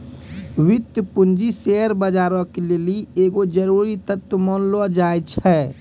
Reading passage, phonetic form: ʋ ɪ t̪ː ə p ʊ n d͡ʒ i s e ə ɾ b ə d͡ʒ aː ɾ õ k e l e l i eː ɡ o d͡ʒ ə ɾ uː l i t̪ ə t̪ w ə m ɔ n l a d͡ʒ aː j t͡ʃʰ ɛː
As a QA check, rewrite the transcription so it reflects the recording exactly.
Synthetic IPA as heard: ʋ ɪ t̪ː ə p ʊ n d͡ʒ i s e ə ɾ b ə d͡ʒ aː ɾ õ k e l e l i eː ɡ o d͡ʒ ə ɾ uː ɾ i t̪ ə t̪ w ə m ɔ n l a d͡ʒ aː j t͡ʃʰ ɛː